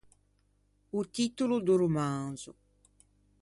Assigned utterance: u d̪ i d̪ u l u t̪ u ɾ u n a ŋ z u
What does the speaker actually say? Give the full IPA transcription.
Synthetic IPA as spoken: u t̪ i t̪ u l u d̪ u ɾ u m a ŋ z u